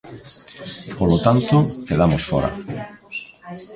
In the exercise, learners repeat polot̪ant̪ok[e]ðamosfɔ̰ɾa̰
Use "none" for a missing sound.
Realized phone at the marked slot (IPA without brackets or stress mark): e